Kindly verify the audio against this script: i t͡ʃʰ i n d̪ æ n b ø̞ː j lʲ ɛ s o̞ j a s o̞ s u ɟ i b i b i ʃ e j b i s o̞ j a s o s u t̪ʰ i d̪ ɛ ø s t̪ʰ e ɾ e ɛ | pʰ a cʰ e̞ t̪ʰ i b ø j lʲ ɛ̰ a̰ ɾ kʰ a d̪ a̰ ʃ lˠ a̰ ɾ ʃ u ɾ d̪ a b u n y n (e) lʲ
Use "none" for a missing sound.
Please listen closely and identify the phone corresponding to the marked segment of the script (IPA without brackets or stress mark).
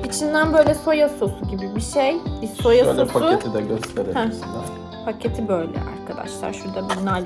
a